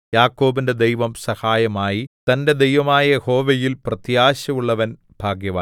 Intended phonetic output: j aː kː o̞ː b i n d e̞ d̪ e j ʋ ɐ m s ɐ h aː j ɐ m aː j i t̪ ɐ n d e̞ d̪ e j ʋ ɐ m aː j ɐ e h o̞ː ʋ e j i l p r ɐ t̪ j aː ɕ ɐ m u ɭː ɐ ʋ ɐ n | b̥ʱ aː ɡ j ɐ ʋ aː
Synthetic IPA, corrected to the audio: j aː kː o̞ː b i n d e̞ d̪ e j ʋ ɐ m s ɐ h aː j ɐ m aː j i t̪ ɐ n d e̞ d̪ e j ʋ ɐ m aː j ɐ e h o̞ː ʋ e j i l p r ɐ t̪ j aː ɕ ɐ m u ɭː ɐ ʋ ɐ n | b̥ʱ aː ɡ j ɐ ʋ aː